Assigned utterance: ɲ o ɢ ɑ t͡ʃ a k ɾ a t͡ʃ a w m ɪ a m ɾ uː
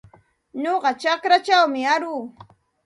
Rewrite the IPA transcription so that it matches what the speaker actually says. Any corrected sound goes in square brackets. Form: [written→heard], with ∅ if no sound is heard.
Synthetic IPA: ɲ o ɢ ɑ t͡ʃ a k ɾ a t͡ʃ a w m ɪ a [m→∅] ɾ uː